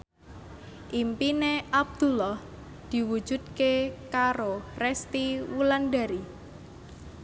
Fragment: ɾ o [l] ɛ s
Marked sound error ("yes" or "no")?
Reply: yes